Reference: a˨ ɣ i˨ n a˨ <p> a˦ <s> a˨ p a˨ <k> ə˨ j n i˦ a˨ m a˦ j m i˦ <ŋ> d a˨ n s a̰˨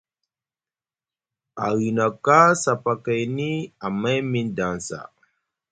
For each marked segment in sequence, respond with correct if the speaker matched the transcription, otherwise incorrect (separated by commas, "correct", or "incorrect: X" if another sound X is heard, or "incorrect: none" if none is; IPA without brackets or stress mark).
incorrect: k, correct, correct, incorrect: n